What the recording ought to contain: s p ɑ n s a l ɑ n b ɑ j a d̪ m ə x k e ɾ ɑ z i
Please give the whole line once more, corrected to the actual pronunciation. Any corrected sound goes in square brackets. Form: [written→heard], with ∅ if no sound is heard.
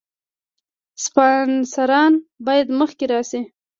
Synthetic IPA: s p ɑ n s a [l→ɾ] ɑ n b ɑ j a d̪ m ə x k e ɾ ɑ [z→s] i